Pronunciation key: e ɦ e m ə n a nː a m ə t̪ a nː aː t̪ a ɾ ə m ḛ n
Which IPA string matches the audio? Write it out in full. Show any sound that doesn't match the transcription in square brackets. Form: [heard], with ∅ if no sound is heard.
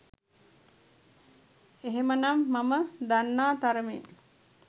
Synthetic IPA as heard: e ɦ e m ə n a [mː] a m ə [d̪] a nː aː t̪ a ɾ ə m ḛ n